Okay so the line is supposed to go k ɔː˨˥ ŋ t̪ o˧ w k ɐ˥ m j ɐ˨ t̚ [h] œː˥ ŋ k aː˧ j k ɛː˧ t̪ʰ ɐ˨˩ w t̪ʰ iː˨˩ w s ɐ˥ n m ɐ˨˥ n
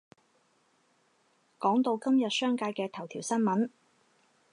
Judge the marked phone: incorrect: s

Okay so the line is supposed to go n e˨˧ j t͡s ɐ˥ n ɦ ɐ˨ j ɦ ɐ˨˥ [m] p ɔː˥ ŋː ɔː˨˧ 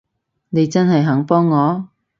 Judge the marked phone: incorrect: ŋ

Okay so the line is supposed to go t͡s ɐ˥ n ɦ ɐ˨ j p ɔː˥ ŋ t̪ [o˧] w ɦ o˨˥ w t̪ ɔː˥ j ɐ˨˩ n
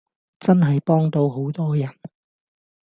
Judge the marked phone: correct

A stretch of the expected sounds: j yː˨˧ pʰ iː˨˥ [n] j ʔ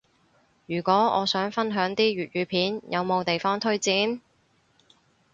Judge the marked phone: correct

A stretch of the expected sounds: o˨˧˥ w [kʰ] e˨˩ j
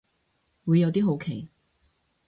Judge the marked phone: correct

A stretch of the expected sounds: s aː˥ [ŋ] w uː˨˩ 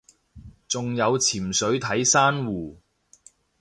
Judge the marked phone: incorrect: n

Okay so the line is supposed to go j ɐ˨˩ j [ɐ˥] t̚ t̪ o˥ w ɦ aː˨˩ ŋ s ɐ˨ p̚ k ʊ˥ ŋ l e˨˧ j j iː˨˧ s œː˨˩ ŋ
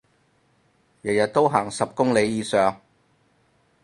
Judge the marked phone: incorrect: ɐ˨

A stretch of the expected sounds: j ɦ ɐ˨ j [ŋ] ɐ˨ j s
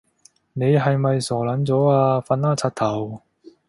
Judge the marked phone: incorrect: m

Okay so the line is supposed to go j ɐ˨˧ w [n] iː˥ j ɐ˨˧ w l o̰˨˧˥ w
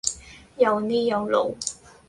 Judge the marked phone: correct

